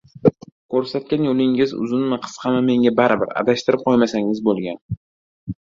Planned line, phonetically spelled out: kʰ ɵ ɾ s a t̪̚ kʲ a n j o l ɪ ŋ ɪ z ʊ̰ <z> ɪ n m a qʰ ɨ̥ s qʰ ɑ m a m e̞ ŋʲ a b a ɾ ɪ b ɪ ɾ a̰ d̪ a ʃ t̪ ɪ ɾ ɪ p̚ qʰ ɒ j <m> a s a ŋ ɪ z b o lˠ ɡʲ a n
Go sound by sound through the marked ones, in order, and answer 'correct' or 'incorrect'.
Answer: correct, correct

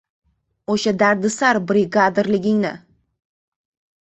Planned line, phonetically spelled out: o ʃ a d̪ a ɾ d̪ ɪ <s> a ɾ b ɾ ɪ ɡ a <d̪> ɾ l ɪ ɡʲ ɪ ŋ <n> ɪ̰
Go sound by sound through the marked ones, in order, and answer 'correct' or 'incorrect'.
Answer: correct, correct, correct

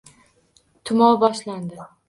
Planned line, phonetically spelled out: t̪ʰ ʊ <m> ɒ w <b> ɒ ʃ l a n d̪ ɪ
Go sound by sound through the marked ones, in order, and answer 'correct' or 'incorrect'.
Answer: correct, correct

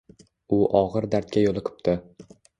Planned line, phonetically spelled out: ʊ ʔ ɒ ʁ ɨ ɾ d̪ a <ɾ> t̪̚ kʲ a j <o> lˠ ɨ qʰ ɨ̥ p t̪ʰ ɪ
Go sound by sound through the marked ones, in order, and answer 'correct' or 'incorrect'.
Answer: correct, correct

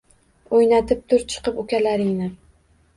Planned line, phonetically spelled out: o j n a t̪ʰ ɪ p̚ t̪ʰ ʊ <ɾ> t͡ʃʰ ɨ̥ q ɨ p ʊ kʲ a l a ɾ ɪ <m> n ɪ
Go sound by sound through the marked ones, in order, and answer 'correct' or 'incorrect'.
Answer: correct, incorrect

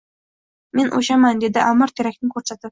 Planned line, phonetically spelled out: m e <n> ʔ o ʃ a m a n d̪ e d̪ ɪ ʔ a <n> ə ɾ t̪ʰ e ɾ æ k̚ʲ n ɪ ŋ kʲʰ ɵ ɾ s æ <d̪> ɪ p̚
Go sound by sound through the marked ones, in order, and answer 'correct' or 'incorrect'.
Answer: correct, incorrect, incorrect

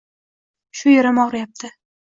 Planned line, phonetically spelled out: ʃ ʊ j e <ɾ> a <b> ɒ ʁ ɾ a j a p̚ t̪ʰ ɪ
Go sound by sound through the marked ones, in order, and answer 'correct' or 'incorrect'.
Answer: correct, incorrect

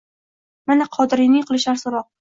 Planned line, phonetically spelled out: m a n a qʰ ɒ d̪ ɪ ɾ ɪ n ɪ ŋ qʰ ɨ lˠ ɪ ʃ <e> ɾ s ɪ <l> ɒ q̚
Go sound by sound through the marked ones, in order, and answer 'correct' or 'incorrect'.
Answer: incorrect, incorrect

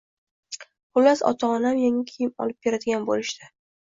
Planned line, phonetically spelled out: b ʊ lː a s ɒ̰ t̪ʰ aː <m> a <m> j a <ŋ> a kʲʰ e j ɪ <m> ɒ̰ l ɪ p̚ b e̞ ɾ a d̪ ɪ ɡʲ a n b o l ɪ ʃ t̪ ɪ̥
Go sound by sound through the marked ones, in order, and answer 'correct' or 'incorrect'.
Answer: incorrect, correct, correct, correct

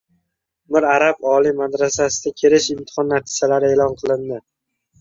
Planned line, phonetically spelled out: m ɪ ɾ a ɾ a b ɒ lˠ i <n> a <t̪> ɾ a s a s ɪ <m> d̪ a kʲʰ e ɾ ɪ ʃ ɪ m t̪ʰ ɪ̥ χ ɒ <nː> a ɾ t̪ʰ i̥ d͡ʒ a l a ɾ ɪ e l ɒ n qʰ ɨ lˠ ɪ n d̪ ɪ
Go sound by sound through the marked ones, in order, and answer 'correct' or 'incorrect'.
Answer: incorrect, incorrect, incorrect, correct

